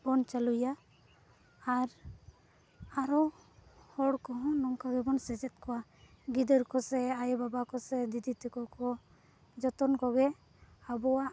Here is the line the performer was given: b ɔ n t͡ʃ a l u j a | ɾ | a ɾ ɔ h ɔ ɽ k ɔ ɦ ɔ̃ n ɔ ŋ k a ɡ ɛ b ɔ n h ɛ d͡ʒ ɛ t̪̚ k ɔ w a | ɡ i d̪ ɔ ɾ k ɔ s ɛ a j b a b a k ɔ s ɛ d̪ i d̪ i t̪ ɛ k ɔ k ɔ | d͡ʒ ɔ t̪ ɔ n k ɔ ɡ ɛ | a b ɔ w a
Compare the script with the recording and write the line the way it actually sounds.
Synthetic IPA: b ɔ n t͡ʃ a l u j a | ɾ | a ɾ ɔ h ɔ ɽ k ɔ ɦ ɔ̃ n ɔ ŋ k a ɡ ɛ b ɔ n s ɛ d͡ʒ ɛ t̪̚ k ɔ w a | ɡ i d̪ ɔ ɾ k ɔ s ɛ a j b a b a k ɔ s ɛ d̪ i d̪ i t̪ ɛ k ɔ k ɔ | d͡ʒ ɔ t̪ ɔ n k ɔ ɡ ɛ | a b ɔ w a